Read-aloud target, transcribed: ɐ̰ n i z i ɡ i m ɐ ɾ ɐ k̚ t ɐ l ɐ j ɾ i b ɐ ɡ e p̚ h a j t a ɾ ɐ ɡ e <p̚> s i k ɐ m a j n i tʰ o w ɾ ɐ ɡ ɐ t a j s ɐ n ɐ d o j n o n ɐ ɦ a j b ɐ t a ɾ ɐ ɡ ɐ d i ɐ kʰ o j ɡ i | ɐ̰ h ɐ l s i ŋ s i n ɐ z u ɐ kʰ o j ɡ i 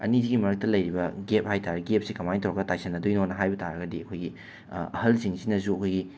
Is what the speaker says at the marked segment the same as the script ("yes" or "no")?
yes